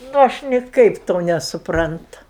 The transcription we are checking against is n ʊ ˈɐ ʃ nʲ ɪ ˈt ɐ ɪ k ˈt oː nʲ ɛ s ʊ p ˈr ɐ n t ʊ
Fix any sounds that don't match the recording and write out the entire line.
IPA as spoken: n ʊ ˈɐ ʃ nʲ ɪ ˈk ɐ ɪ p ˈt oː nʲ ɛ s ʊ p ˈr ɐ n t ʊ